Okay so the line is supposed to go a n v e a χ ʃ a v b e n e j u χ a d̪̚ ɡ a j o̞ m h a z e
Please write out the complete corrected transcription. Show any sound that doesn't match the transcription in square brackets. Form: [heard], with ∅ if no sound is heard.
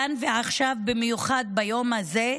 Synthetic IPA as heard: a n v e a χ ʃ a v b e [m] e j u χ a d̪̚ [b] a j o̞ m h a z e

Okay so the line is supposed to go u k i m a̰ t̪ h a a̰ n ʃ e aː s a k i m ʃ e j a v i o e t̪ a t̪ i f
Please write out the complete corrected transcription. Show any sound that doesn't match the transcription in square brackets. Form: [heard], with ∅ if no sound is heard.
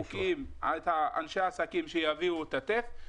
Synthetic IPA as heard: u k i m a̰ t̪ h a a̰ n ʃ e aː s a k i m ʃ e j a v i [u] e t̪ a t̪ [e] f

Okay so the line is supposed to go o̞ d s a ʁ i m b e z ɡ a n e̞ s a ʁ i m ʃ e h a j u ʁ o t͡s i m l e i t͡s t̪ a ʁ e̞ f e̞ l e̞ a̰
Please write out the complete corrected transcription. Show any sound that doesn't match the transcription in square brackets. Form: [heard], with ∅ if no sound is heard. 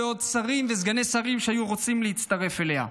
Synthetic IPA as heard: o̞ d s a ʁ i m [v] e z ɡ a n e̞ s a ʁ i m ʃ e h a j u ʁ o t͡s i m l e i t͡s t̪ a ʁ e̞ f e̞ l e̞ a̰

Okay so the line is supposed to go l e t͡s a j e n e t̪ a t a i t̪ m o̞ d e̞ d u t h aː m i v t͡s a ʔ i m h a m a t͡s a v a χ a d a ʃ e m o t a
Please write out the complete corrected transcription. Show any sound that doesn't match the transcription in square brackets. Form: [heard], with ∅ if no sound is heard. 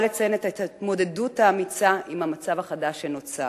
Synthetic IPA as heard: l e t͡s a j e n e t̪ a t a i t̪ m o̞ d e̞ d u t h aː m i [∅] t͡s a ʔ i m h a m a t͡s a v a χ a d a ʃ e [n] o [t͡s] a

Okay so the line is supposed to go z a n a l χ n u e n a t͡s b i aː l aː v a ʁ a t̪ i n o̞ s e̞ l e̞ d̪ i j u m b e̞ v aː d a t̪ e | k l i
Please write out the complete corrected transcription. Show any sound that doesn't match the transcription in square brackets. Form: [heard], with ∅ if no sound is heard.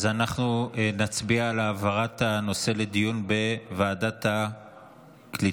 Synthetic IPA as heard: z a n a [∅] χ n u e n a t͡s b i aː l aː v a ʁ a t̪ [a] n o̞ s e̞ l e̞ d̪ i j u [n] b e̞ v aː d a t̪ [a] | k l i

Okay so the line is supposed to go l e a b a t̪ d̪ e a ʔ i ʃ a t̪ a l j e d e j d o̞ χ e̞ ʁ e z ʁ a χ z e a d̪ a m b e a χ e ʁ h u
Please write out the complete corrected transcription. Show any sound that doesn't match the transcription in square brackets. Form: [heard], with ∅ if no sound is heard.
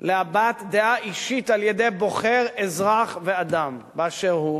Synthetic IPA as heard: l e a b a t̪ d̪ e a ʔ i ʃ [i] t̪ a l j e d e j [b] o̞ χ e̞ ʁ e z ʁ a χ [v] e a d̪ a m b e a [ʃ] e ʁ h u

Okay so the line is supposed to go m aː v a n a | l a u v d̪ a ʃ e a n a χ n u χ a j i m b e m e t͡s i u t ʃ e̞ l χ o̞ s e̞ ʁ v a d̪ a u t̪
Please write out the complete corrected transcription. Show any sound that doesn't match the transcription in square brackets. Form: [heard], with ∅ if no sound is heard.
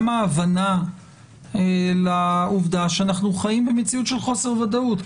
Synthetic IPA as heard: m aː v a n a | l a u v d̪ a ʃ e a n a χ n u χ a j i m b e m e t͡s i u t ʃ e̞ l χ o̞ s e̞ ʁ v a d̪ a u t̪

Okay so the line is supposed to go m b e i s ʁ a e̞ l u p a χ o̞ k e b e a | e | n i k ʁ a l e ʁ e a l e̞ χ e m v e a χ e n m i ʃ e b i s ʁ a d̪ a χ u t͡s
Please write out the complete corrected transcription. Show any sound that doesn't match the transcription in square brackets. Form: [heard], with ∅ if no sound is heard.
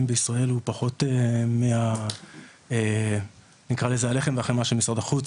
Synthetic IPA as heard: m b e i s ʁ a e̞ l u p a χ o̞ [t] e [m] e a | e | n i k ʁ a l e [z] e a l e̞ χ e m v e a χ e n m [a] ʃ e [m] i s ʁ a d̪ a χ u t͡s

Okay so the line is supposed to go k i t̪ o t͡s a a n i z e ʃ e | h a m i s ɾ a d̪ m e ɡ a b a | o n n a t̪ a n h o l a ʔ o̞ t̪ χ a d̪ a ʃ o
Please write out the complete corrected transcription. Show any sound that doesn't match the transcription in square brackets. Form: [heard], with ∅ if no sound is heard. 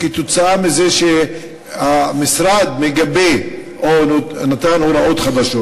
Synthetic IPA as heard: k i t̪ o t͡s a a [m] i z e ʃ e | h a m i s ɾ a d̪ m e ɡ a b [e] | o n n a t̪ a n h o [ɾ] a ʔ o̞ t̪ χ a d̪ a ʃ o

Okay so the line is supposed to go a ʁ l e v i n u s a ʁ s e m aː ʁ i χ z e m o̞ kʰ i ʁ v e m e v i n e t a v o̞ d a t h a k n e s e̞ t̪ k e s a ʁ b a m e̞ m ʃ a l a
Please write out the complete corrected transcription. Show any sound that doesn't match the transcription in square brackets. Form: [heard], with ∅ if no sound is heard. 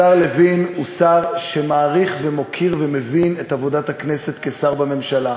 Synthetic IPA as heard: a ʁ l e v i n u s a ʁ [ʃ] e m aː ʁ i χ [v] e m o̞ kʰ i ʁ v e m e v i n e t a v o̞ d a t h a k n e s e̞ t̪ k e s a ʁ b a m e̞ m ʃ a l a

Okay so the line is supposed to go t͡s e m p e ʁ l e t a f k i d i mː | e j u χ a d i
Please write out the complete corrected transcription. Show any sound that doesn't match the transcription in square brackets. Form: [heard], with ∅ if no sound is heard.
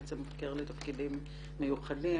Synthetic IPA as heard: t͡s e m [k] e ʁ l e t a f k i d i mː | e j u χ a d i

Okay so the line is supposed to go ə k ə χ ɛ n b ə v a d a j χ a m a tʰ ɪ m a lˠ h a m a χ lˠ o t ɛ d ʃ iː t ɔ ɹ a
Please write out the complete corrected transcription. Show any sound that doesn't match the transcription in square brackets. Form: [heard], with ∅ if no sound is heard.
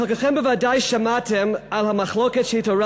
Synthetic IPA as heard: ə k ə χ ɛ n b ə v a d a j [ʃ] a m a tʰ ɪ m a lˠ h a m a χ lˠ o [k] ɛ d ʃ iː t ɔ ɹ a

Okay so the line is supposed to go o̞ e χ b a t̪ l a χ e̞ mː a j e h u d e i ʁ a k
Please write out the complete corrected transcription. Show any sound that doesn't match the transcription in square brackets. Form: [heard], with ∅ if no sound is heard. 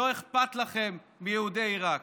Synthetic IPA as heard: o̞ e χ [p] a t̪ l a χ e̞ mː [i] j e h u d e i ʁ a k

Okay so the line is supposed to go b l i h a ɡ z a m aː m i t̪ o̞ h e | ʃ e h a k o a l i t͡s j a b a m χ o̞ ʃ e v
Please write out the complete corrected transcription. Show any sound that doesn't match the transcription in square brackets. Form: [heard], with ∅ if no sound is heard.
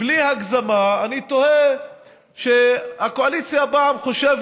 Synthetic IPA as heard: b l i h a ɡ z a m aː [n] i t̪ o̞ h e | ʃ e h a k o a l i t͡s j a b a m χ o̞ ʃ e v

